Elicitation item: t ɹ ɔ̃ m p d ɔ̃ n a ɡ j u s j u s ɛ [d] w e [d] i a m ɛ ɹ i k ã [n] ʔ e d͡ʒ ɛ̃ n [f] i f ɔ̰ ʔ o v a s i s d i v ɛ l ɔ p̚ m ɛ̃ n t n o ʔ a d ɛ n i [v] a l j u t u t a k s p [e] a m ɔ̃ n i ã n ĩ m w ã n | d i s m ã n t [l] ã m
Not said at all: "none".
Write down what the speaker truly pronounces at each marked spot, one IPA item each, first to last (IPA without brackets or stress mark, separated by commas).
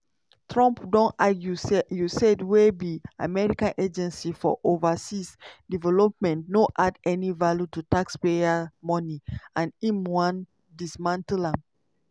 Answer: d, b, n, s, v, e, l